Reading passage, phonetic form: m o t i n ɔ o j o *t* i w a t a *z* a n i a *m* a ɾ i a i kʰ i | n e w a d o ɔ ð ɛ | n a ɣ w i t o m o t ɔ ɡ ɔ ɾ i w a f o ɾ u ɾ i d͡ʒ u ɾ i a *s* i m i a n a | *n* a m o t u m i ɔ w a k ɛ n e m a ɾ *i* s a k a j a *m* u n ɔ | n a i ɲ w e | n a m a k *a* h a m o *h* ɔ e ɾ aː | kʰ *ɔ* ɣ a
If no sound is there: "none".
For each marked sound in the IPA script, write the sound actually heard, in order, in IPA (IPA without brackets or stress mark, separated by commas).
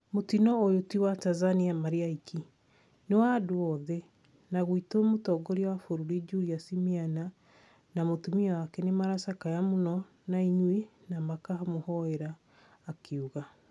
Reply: t, z, m, s, n, a, m, a, h, u